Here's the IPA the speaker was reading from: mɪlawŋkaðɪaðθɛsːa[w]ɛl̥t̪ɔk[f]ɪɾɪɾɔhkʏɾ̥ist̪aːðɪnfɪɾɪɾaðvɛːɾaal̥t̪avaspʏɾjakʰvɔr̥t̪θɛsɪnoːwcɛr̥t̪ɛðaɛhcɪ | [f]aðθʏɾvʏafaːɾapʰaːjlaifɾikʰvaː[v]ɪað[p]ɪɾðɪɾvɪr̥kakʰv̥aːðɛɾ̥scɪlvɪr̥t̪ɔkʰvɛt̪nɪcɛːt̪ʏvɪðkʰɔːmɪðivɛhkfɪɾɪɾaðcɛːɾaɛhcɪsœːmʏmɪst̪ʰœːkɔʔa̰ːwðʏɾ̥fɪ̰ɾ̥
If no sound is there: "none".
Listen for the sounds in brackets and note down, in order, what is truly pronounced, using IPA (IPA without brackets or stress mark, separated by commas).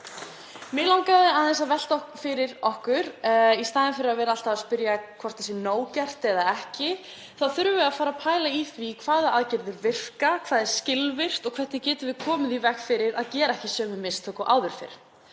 v, f, θ, ð, c